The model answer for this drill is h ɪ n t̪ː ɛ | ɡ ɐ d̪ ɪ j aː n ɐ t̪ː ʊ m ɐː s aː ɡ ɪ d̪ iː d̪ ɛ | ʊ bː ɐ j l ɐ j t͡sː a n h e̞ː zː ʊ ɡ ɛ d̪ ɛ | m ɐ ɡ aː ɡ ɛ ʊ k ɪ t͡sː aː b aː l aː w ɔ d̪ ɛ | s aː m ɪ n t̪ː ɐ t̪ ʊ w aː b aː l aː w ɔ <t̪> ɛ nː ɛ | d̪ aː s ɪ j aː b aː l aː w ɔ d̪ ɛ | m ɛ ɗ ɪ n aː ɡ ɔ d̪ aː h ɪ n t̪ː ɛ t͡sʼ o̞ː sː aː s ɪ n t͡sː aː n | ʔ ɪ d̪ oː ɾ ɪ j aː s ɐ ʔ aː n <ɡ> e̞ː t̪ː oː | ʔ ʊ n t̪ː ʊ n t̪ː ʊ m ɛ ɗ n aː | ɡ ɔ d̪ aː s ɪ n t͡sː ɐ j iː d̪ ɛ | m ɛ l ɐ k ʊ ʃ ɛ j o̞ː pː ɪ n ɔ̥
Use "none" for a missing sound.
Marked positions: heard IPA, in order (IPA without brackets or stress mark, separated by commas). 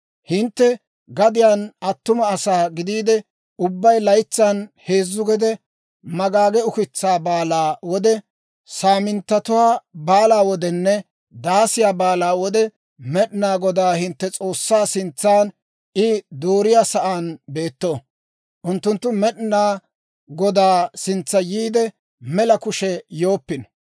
d̪, b